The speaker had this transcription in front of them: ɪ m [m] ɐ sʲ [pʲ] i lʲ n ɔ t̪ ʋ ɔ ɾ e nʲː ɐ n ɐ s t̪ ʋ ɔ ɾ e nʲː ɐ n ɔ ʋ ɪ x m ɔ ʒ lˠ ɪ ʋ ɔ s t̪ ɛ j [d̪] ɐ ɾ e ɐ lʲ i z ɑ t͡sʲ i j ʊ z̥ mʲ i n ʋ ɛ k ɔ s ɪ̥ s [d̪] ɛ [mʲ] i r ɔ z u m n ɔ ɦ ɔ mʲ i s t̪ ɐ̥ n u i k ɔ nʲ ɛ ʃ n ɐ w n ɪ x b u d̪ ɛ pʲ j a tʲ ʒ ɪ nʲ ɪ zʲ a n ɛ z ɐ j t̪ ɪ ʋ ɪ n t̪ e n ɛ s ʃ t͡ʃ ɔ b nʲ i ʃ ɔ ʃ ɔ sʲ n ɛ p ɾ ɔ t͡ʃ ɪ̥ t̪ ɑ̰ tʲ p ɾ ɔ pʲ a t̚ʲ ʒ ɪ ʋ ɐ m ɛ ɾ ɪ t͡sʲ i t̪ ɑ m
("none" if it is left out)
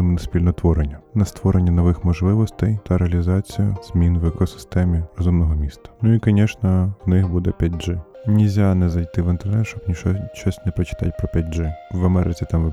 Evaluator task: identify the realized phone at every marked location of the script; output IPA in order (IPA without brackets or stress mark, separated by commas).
n, pʲ, t̪, t̪, mʲ